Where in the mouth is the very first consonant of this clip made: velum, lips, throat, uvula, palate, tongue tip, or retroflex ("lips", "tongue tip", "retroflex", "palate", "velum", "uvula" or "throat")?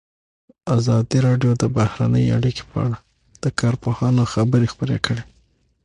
tongue tip